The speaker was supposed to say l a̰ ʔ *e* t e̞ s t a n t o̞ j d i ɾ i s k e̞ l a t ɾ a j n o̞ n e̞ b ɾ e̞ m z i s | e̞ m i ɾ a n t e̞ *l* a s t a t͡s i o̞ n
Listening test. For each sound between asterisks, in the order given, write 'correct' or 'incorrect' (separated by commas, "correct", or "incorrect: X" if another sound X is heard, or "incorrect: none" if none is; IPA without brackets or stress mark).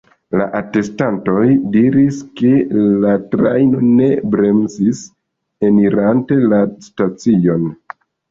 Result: incorrect: a, correct